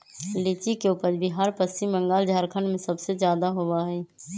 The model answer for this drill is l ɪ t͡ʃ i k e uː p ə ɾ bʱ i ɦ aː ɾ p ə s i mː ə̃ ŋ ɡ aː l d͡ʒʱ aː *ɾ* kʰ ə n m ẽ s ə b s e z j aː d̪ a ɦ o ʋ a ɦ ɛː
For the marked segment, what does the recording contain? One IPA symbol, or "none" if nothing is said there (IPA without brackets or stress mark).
ɾ